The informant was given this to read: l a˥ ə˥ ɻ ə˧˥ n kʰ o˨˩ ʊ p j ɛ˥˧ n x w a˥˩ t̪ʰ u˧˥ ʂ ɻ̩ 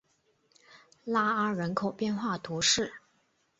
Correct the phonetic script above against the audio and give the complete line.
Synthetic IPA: l a˥ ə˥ ɻ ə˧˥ n kʰ o˨˩ ʊ p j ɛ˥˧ n x w a˥˩ t̪ʰ u˧˥ ʂ ɻ̩